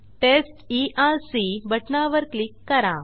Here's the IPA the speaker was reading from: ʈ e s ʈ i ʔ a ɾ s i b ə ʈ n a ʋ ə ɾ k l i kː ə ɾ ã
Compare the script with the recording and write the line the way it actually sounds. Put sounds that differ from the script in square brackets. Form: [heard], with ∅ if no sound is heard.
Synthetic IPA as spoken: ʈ e s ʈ i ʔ a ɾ s i b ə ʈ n a ʋ ə ɾ k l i kː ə ɾ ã